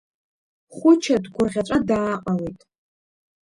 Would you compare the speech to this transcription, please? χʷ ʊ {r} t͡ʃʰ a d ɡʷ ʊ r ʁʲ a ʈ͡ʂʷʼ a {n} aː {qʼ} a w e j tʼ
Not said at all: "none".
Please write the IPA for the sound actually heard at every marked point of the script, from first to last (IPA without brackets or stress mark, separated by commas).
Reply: none, d, qʼ